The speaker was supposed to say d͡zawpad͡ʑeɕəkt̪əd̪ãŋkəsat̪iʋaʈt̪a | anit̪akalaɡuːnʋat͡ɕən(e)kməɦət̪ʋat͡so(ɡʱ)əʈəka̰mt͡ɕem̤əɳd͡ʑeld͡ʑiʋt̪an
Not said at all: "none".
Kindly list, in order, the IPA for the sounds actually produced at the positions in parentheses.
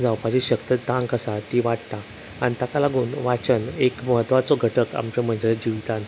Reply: e, ɡʱ

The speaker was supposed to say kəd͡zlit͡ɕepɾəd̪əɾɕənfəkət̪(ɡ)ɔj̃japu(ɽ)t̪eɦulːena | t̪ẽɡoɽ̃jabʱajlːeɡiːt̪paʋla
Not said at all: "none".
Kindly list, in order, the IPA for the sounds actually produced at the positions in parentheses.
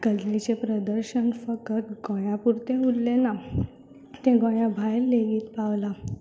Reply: ɡ, ɾ

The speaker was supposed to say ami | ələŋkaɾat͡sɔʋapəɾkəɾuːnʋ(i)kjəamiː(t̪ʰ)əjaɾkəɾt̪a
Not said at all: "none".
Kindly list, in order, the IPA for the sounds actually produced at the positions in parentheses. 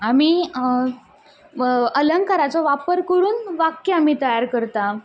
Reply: a, t̪

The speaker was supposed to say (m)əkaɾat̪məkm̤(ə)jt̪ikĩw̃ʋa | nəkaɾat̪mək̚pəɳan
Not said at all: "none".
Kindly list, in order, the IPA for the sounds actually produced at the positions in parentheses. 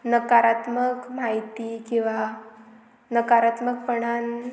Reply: n, a

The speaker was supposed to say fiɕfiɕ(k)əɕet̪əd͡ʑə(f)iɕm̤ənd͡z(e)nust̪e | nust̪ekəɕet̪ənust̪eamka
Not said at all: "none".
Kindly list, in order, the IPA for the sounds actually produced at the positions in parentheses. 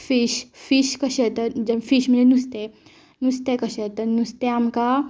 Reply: k, f, e

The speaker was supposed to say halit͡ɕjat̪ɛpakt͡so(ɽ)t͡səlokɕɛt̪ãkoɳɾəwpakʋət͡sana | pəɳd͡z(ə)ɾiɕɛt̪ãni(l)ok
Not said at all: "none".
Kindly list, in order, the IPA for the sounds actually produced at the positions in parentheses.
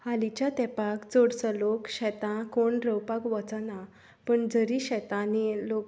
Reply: ɽ, ə, l

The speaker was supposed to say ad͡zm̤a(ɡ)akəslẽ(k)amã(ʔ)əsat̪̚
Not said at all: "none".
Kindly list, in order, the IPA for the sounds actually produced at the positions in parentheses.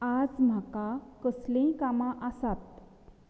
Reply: k, k, ʔ

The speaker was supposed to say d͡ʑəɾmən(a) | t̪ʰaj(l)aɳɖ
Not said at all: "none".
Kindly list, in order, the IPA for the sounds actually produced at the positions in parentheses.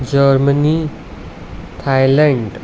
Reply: i, l

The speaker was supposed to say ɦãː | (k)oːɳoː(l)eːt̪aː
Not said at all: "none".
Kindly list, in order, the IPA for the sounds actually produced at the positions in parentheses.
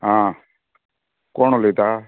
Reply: k, l

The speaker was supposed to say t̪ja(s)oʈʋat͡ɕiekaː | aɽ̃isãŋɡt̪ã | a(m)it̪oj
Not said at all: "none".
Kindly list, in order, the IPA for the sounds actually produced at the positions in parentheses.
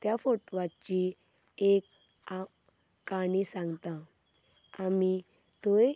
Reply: f, m

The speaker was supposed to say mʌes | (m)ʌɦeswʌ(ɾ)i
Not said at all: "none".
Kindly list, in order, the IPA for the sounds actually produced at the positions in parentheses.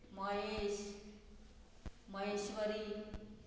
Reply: m, ɾ

